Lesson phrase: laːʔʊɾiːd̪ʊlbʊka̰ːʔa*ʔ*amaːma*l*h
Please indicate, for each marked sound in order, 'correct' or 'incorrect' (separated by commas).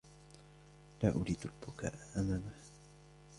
correct, incorrect